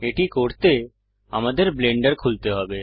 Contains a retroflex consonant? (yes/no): yes